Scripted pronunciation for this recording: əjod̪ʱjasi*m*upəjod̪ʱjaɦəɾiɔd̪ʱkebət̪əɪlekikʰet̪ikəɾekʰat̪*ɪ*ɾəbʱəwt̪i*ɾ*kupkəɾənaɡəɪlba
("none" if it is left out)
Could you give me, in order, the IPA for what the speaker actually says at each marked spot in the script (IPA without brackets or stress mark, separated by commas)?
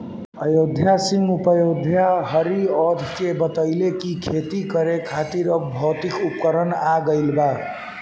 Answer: m, i, none